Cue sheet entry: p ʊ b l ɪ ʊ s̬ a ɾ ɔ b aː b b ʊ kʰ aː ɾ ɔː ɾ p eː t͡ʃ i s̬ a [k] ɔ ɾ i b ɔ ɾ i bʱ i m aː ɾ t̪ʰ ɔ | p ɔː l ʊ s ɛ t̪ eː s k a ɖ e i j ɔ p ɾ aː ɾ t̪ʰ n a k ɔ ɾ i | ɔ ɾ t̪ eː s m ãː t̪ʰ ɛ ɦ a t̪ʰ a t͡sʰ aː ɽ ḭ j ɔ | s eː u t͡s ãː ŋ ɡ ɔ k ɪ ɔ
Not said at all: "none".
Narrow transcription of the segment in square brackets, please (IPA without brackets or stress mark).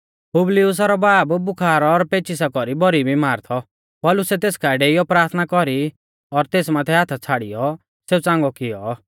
k